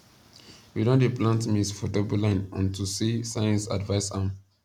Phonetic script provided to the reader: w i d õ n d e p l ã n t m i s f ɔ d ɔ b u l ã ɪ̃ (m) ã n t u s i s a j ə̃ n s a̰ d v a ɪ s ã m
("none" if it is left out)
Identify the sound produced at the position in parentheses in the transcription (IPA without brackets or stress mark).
n